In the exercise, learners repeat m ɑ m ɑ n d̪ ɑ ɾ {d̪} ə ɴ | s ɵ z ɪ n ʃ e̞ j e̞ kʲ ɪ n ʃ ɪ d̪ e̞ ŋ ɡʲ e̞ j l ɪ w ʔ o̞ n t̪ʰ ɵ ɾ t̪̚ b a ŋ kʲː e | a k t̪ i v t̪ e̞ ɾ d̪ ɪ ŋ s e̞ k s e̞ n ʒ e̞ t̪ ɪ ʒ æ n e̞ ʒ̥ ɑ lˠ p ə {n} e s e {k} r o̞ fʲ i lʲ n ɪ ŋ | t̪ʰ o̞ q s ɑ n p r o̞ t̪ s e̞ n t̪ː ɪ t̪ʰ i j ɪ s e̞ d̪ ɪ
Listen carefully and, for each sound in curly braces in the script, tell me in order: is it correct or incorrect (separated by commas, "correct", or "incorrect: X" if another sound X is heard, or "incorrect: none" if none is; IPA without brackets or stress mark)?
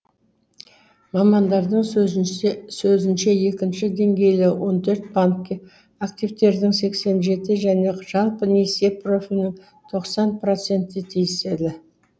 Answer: correct, correct, incorrect: p